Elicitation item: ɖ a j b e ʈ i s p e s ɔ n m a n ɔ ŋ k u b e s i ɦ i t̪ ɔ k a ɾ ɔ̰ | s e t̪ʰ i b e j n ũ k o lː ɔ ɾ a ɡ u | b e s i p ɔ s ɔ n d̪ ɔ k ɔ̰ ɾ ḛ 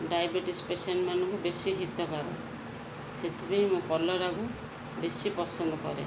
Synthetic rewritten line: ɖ a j b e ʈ i s p e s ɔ n m a n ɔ ŋ k u b e s i ɦ i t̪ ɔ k a ɾ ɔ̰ | s e t̪ʰ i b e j m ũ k ɔ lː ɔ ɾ a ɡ u | b e s i p ɔ s ɔ n d̪ ɔ k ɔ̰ ɾ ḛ